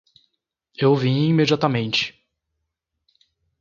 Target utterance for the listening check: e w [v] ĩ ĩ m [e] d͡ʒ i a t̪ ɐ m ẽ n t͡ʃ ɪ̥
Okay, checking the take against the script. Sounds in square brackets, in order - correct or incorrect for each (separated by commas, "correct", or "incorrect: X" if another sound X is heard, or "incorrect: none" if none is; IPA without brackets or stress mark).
correct, correct